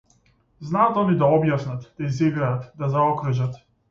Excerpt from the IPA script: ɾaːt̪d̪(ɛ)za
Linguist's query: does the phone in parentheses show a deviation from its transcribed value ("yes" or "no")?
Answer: yes